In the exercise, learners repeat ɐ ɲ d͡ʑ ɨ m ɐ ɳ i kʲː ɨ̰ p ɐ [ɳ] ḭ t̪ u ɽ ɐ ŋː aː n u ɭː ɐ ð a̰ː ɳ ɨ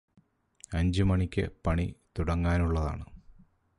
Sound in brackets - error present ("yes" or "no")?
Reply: no